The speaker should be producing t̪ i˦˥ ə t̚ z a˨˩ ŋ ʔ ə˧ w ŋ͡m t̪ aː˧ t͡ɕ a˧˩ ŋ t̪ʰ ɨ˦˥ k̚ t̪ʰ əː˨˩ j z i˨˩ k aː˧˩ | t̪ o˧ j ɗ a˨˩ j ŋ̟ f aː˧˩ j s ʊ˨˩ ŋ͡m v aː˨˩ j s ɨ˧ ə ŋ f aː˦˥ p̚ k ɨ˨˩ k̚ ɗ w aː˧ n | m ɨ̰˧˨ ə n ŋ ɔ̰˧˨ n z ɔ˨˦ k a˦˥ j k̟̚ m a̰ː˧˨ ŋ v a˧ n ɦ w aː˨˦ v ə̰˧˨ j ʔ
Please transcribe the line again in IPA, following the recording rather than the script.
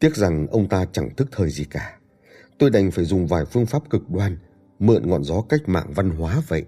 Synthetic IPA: t̪ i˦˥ ə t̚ z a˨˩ ŋ ʔ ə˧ w ŋ͡m t̪ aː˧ t͡ɕ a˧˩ ŋ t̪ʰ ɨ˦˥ k̚ t̪ʰ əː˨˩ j z i˨˩ k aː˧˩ | t̪ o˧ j ɗ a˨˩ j ŋ̟ f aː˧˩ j z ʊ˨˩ ŋ͡m v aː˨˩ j f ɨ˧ ə ŋ f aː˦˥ p̚ k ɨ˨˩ k̚ ɗ w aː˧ n | m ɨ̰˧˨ ə n ŋ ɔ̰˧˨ n z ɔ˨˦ k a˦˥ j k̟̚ m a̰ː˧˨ ŋ v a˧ n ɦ w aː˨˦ v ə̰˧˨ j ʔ